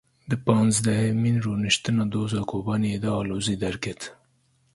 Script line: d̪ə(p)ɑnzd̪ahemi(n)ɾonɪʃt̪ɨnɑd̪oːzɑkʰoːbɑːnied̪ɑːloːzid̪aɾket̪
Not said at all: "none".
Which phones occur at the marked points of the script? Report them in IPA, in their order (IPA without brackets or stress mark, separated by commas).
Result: p, n